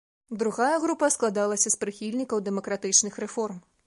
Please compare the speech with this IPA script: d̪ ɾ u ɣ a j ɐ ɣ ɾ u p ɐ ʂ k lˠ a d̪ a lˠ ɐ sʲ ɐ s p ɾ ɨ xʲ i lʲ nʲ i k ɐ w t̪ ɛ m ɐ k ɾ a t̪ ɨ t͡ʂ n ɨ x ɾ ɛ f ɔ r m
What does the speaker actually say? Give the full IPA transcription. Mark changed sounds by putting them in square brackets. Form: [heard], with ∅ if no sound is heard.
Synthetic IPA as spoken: d̪ ɾ u ɣ a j ɐ ɣ ɾ u p ɐ [s] k lˠ a d̪ a lˠ ɐ sʲ ɐ s p ɾ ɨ xʲ i lʲ nʲ i k ɐ w [d̪] ɛ m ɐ k ɾ a t̪ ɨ t͡ʂ n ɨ x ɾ ɛ f ɔ r m